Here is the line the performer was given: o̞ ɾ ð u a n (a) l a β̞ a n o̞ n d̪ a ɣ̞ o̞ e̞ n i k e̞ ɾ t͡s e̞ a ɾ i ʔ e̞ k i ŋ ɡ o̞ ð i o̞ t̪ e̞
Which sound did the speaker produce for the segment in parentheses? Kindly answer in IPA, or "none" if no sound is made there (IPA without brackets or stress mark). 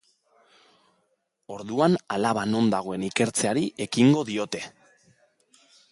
a